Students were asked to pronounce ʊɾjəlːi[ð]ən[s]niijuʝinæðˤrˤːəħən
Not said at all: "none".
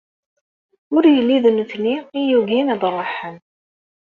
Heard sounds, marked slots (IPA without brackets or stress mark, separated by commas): ð, θ